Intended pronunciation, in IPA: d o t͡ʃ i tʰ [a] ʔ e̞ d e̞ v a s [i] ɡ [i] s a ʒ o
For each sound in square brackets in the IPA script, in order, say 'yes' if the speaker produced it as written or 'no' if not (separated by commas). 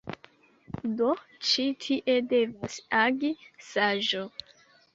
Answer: no, no, yes